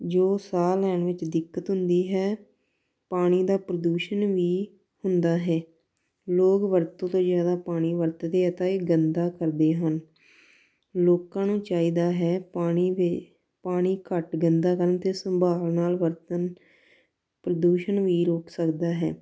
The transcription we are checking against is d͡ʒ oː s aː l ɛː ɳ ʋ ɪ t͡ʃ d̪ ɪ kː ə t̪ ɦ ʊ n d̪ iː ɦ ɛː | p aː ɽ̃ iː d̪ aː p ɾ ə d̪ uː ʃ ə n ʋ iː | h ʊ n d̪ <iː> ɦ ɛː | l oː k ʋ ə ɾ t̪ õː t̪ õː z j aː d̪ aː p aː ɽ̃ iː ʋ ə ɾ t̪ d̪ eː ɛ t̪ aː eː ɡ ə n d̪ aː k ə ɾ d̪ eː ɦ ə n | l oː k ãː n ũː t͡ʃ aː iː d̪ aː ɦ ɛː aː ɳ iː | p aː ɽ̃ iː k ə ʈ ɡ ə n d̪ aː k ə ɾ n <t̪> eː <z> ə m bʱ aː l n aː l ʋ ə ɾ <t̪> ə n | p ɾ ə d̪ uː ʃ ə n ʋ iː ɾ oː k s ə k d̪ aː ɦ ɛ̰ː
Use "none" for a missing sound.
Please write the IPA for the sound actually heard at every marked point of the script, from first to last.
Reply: aː, t̪, s, t̪

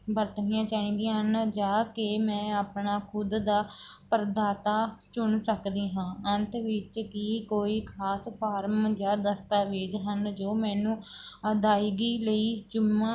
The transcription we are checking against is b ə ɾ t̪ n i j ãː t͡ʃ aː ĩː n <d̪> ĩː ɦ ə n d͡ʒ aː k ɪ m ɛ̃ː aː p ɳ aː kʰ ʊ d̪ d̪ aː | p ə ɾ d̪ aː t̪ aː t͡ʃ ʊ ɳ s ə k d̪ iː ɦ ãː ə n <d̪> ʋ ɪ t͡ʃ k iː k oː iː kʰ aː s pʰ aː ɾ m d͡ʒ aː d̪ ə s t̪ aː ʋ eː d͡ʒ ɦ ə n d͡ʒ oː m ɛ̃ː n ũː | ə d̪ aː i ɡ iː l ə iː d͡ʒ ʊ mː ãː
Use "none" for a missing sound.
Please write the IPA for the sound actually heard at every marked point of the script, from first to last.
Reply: d̪, t̪

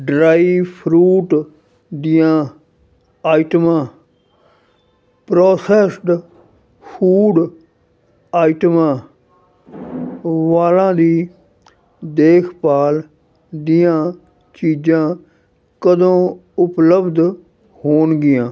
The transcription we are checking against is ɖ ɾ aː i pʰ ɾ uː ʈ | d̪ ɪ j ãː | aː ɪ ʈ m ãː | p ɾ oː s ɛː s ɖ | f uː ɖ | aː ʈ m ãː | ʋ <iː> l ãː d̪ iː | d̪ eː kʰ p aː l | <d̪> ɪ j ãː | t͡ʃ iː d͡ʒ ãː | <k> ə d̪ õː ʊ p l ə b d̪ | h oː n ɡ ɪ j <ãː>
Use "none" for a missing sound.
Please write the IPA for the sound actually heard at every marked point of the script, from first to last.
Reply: aː, d̪, k, ãː

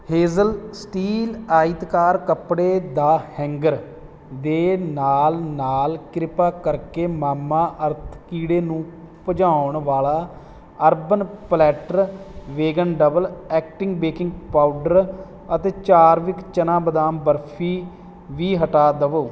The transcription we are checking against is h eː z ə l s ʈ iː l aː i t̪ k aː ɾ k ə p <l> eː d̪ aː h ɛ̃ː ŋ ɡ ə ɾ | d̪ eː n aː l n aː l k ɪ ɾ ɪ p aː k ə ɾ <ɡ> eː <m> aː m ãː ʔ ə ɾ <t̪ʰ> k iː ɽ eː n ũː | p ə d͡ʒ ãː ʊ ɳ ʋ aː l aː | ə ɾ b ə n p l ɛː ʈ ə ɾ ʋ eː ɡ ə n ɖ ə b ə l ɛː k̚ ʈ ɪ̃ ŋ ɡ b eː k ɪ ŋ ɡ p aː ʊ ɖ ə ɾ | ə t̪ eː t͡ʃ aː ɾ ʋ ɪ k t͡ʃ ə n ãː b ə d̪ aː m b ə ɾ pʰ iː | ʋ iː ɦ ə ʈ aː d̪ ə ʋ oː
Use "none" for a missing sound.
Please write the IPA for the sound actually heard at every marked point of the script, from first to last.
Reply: ɽ, k, m, t̪ʰ

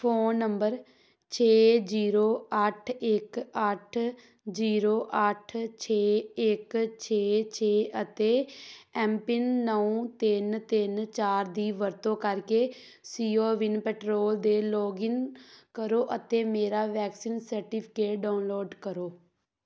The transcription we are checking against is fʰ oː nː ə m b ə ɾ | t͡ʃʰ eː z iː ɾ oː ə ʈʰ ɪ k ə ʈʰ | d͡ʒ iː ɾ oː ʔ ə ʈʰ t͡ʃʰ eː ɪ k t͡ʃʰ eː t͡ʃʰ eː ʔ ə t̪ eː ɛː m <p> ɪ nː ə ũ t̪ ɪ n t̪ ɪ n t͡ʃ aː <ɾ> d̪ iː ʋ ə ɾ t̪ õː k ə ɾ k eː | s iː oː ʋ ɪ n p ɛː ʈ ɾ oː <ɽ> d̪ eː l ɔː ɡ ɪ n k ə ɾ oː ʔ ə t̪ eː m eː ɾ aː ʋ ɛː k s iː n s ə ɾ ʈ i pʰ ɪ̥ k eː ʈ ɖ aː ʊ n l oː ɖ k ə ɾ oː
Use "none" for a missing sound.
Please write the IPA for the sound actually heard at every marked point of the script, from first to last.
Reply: p, ɾ, l

